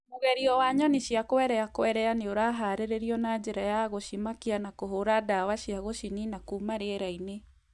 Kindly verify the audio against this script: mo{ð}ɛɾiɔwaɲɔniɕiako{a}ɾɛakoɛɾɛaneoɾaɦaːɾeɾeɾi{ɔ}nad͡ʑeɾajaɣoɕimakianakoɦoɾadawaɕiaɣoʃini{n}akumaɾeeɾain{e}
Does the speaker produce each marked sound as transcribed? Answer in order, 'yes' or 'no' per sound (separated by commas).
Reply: no, no, yes, yes, yes